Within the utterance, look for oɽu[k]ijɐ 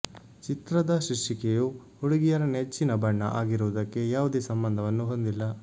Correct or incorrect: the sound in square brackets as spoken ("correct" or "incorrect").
incorrect